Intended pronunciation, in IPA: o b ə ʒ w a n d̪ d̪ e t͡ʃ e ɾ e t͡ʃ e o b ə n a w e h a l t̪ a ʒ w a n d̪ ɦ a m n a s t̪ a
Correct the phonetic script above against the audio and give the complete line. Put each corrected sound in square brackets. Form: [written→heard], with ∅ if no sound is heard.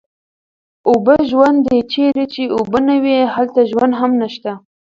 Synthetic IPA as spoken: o b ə ʒ w a n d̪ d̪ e t͡ʃ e ɾ e t͡ʃ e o b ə n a w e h a l t̪ a ʒ w a n d̪ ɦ a m n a [s→ʃ] t̪ a